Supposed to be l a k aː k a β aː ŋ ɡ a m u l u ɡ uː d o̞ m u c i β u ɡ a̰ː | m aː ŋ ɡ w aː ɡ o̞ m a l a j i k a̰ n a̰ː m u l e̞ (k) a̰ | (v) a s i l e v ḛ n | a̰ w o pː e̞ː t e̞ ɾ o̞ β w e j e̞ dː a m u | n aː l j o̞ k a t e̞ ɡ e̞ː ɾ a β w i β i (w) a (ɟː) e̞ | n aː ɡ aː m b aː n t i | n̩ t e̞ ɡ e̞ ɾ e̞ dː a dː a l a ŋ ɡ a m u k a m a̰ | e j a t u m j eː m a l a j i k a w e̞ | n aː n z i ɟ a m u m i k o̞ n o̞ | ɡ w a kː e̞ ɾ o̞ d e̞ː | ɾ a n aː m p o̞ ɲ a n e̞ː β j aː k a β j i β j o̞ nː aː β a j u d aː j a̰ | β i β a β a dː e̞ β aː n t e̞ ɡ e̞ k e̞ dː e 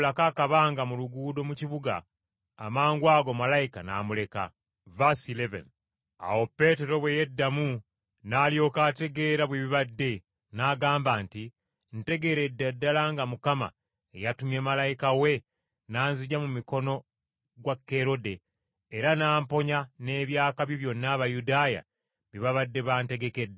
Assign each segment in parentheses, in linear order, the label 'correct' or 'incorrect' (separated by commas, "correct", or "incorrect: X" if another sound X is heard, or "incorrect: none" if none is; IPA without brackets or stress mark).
correct, correct, incorrect: β, incorrect: dː